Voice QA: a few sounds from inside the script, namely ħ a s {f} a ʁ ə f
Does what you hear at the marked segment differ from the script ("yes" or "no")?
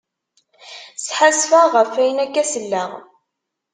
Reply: no